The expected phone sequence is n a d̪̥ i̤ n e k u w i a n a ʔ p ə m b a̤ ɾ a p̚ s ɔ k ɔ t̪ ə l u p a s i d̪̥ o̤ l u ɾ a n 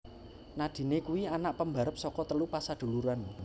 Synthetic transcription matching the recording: n a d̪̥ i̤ n e k u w i a n a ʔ p ə m b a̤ ɾ ə p̚ s ɔ k ɔ t̪ ə l u p a s a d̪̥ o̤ l u ɾ a n